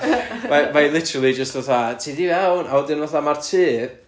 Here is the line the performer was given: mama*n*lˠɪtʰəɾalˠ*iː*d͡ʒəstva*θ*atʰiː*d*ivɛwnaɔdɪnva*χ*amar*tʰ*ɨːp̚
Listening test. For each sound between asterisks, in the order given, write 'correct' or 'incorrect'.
incorrect, incorrect, correct, correct, incorrect, correct

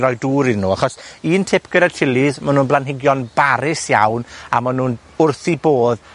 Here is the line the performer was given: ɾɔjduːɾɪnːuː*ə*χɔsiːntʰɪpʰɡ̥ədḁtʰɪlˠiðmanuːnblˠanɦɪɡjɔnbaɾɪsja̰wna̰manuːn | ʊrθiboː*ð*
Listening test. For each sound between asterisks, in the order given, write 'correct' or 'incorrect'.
incorrect, correct

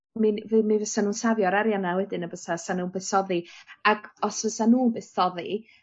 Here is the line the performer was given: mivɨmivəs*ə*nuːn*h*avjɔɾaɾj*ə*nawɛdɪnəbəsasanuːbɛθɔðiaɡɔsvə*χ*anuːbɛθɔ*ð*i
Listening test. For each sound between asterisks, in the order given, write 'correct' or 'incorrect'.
incorrect, incorrect, incorrect, incorrect, correct

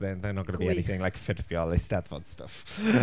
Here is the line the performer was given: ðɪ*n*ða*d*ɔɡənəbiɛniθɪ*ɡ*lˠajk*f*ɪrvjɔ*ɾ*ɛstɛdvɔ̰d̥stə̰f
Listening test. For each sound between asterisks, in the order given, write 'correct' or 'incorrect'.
correct, incorrect, incorrect, correct, incorrect

